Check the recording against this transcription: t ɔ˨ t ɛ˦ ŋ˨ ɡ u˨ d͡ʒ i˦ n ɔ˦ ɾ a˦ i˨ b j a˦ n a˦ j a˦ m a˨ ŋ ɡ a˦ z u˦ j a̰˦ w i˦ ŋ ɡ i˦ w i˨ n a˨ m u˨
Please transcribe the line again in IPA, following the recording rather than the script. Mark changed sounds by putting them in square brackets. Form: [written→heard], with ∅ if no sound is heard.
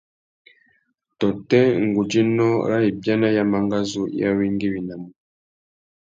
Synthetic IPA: t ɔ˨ t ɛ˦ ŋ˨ ɡ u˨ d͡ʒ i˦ n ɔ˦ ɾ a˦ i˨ b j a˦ n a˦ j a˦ m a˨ ŋ ɡ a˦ z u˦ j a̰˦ w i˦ ŋ ɡ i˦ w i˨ n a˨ m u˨